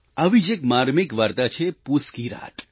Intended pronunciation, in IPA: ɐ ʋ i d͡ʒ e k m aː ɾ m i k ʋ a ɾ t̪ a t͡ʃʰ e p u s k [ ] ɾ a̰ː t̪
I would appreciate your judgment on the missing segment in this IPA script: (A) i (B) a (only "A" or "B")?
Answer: A